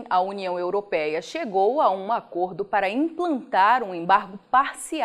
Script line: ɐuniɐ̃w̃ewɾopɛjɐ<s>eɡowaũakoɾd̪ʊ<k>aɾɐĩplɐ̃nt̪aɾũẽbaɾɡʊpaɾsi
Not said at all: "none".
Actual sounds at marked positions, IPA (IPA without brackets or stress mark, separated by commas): ʃ, p